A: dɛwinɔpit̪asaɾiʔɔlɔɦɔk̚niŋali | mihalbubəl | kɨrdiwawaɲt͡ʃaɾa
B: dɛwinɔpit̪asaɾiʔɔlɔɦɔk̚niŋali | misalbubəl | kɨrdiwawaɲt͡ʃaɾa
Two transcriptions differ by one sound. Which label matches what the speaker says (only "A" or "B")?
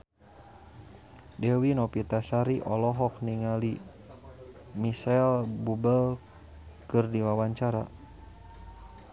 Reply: B